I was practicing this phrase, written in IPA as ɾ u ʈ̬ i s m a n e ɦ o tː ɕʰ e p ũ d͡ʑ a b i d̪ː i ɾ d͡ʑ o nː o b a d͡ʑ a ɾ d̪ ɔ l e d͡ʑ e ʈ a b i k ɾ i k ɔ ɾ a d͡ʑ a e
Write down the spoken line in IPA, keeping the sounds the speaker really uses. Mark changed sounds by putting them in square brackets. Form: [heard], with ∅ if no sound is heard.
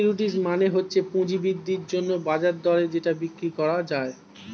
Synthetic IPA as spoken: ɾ u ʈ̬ i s m a n e ɦ o tː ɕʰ e p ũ d͡ʑ [i] b i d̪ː i ɾ d͡ʑ o nː o b a d͡ʑ a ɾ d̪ ɔ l e d͡ʑ e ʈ a b i k ɾ i k ɔ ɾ a d͡ʑ a e